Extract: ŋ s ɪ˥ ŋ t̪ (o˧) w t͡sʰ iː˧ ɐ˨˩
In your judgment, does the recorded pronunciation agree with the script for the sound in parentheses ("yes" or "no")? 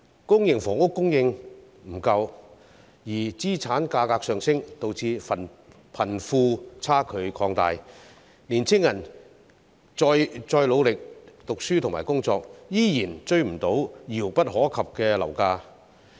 yes